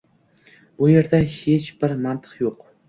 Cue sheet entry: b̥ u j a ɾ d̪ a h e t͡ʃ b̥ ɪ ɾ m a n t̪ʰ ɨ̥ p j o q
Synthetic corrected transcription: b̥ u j e ɾ d̪ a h e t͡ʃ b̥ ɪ ɾ m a n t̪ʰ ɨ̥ q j o q